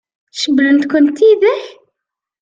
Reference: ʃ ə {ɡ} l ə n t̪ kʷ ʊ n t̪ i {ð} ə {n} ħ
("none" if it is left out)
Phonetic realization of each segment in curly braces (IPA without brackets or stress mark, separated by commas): b, ð, none